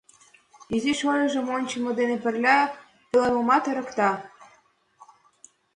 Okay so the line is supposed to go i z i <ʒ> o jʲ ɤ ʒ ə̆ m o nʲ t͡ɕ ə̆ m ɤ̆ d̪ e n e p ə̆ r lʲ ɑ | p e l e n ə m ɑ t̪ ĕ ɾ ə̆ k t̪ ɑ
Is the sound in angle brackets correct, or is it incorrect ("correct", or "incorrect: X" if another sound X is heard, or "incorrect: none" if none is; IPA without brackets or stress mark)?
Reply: incorrect: ʃ